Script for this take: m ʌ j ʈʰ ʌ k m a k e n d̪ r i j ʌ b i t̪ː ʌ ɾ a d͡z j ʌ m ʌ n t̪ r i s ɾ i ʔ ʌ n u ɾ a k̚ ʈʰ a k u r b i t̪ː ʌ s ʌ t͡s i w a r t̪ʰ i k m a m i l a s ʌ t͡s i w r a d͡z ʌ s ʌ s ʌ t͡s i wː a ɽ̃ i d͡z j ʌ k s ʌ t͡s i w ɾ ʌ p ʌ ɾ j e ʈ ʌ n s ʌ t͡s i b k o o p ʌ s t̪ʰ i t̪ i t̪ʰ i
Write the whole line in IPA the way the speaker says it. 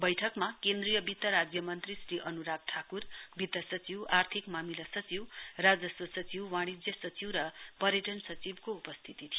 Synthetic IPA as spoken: b ʌ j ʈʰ ʌ k m a k e n d̪ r i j ʌ b i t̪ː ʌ ɾ a d͡z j ʌ m ʌ n t̪ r i s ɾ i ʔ ʌ n u ɾ a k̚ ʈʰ a k u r b i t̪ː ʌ s ʌ t͡s i w a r t̪ʰ i k m a m i l a s ʌ t͡s i w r a d͡z ʌ s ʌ s ʌ t͡s i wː a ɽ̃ i d͡z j ʌ s ʌ t͡s i w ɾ ʌ p ʌ ɾ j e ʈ ʌ n s ʌ t͡s i b k o u p ʌ s t̪ʰ i t̪ i t̪ʰ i